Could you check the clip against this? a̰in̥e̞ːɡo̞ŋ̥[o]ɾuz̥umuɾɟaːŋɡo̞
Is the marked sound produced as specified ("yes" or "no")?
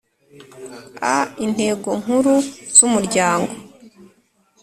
no